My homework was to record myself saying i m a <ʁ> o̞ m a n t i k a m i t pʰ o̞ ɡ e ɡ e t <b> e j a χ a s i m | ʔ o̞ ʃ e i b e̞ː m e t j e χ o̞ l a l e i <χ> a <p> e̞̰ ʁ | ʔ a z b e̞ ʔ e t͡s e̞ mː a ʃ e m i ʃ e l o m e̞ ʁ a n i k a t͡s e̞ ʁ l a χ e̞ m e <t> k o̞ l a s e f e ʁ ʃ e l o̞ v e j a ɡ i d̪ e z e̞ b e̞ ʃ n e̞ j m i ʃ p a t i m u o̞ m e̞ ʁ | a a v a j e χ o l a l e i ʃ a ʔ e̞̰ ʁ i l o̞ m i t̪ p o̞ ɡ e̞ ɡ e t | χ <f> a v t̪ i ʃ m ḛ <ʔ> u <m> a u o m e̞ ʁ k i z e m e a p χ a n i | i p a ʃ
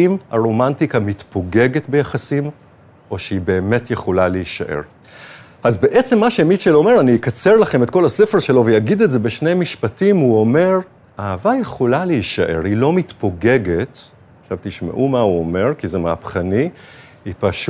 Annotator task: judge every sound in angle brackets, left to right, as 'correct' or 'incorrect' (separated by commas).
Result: correct, correct, incorrect, incorrect, correct, incorrect, correct, correct